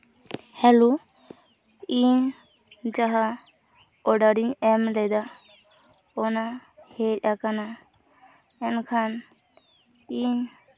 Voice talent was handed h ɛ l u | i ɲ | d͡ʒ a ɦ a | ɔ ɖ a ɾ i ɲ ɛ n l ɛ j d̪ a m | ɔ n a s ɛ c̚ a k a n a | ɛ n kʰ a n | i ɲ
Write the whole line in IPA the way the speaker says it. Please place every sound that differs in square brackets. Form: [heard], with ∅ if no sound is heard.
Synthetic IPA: h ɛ l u | i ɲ | d͡ʒ a ɦ a | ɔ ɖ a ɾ i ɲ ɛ [m] l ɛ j d̪ a [∅] | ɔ n a [h] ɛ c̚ a k a n a | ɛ n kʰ a n | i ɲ